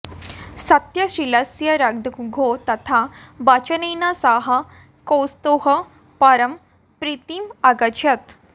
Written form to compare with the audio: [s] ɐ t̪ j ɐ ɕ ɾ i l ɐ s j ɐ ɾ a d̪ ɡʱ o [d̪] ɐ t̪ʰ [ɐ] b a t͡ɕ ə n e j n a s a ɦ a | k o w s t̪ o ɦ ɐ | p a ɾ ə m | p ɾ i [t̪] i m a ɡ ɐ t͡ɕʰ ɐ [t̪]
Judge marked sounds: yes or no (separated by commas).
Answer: yes, no, no, yes, yes